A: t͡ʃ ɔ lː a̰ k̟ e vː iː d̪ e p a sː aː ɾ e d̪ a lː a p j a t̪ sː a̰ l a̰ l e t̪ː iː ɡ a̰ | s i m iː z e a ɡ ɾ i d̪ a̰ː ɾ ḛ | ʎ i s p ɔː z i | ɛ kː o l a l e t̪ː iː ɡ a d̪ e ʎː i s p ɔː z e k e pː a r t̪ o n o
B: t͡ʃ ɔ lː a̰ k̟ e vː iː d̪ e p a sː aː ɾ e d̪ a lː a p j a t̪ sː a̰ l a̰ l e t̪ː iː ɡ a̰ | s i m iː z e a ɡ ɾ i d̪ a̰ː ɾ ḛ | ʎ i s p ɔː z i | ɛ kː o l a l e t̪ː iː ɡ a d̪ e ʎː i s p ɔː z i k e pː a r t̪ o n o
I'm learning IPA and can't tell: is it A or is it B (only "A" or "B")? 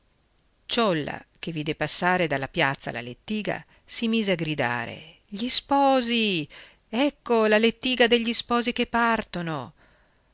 B